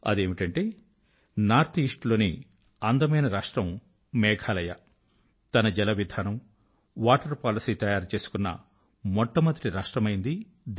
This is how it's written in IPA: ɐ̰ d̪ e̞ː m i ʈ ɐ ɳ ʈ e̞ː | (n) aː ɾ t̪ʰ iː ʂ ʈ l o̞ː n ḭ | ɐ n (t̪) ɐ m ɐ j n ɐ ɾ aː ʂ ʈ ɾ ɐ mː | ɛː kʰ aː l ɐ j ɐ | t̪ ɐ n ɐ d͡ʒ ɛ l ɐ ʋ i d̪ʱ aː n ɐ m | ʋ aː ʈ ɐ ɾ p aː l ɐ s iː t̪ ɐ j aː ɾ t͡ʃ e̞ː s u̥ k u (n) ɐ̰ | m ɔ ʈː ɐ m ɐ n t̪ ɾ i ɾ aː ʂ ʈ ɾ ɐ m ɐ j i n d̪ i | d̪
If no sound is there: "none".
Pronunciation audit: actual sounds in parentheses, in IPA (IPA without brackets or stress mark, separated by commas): n, d̪, nː